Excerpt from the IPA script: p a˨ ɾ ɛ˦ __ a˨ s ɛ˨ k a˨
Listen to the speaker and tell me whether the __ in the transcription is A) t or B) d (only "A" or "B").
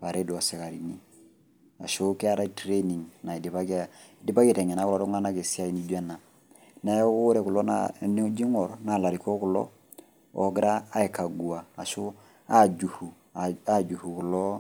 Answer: B